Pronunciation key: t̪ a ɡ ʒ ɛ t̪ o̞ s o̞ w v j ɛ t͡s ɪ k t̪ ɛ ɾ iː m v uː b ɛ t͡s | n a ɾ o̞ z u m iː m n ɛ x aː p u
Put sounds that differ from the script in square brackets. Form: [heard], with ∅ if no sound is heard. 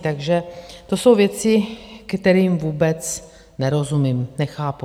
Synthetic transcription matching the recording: t̪ a ɡ ʒ ɛ t̪ o̞ s o̞ w v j ɛ t͡s ɪ k t̪ ɛ ɾ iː m v uː b ɛ t͡s | n [ɛ] ɾ o̞ z u m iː m n ɛ x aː p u